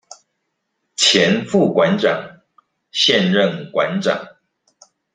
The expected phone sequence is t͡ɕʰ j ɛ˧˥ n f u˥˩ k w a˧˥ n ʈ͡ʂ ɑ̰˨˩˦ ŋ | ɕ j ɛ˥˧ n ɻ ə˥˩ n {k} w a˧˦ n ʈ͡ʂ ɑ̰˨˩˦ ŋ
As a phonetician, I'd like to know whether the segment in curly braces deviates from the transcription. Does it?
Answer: no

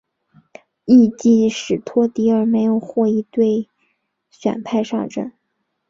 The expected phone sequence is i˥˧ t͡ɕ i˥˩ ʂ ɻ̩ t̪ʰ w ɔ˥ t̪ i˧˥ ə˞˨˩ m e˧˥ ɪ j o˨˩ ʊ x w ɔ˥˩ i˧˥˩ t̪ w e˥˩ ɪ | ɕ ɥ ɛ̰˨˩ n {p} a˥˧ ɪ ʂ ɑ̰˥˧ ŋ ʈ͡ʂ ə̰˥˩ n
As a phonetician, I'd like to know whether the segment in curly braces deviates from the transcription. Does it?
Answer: yes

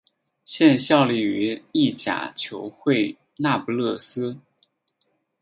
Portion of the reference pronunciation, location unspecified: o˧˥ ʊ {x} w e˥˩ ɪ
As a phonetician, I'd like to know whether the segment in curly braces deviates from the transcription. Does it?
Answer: no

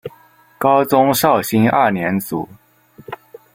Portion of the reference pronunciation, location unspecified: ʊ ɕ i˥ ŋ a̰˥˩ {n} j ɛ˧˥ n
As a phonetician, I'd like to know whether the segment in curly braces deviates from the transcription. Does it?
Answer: no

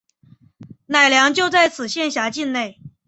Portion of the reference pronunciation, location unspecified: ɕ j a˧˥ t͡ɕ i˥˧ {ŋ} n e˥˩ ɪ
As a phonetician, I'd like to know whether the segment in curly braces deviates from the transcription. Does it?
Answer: yes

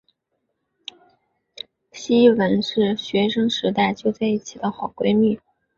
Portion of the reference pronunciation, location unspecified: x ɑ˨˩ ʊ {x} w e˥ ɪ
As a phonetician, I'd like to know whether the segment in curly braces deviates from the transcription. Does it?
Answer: yes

